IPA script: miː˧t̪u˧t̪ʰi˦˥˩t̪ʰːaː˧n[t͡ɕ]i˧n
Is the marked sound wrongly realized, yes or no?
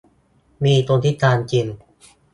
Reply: no